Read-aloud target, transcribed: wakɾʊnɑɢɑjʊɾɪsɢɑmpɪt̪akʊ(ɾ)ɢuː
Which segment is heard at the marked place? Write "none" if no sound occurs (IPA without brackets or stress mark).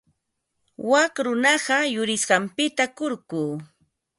ɾ